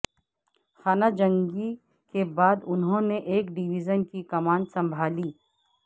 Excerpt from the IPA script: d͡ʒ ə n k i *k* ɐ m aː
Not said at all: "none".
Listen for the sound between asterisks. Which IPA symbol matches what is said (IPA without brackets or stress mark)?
k